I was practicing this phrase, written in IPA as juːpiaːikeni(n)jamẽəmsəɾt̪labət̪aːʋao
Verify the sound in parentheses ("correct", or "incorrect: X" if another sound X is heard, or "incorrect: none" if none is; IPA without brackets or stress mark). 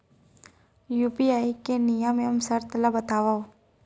incorrect: none